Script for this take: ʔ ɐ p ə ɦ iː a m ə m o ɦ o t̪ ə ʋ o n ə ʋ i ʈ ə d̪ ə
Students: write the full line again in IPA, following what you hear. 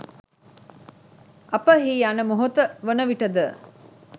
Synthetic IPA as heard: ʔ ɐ p ə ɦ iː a n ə m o ɦ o t̪ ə ʋ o n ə ʋ i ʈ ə d̪ ə